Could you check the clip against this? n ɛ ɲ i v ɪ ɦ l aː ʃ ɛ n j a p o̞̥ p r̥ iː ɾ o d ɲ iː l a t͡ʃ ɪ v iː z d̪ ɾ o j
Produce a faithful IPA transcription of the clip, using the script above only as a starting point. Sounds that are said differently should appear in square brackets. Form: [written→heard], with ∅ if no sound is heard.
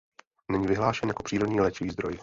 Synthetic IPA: n ɛ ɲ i v ɪ ɦ l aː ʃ ɛ n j a [p→k] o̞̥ p r̥ iː ɾ o d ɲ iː l [a→ɛ] t͡ʃ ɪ v iː z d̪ ɾ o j